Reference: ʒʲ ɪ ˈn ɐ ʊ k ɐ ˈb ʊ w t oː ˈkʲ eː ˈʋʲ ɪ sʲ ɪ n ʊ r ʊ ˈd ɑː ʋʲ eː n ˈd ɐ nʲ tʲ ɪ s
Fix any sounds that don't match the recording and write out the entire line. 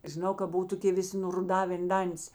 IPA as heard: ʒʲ ɪ ˈn ɐ ʊ k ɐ ˈb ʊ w t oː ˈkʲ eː ˈʋʲ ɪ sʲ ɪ n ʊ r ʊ ˈd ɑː ʋʲ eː n ˈd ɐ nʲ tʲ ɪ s